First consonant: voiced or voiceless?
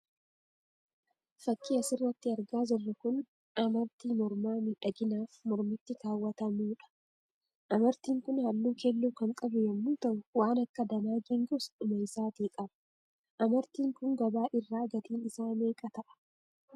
voiceless